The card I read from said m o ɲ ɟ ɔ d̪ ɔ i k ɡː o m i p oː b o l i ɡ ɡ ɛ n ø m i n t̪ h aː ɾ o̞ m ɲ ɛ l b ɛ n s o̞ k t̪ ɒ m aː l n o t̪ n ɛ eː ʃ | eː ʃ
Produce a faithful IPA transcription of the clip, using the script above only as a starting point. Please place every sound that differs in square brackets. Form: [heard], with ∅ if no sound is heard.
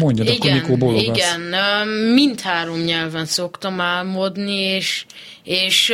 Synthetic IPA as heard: m o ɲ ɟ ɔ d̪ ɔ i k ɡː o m i [k] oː b o l i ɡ ɡ ɛ n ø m i n t̪ h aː ɾ o̞ m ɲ ɛ l [v] ɛ n s o̞ k t̪ ɒ m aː l [m] o [d̪] n [i] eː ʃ | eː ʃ